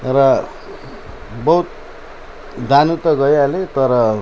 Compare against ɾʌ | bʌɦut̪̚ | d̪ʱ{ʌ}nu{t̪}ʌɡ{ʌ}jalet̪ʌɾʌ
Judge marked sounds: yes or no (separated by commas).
no, yes, yes